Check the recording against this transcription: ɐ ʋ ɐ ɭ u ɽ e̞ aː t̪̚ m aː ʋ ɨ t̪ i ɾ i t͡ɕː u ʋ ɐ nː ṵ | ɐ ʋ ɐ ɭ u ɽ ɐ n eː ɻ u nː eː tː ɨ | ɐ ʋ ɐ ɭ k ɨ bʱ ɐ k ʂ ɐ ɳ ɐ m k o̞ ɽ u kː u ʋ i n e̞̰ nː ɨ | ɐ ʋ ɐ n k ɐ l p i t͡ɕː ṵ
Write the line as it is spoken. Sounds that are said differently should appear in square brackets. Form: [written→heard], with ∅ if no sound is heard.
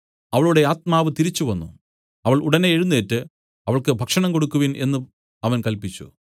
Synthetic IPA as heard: ɐ ʋ ɐ ɭ u ɽ e̞ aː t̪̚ m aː ʋ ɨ t̪ i ɾ i t͡ɕː u ʋ ɐ nː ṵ | ɐ ʋ ɐ ɭ u ɽ ɐ n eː ɻ u nː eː tː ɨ | ɐ ʋ ɐ ɭ k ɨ bʱ ɐ k ʂ ɐ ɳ ɐ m k o̞ ɽ u kː u ʋ i n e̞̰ nː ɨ | ɐ ʋ ɐ n k ɐ l p i t͡ɕː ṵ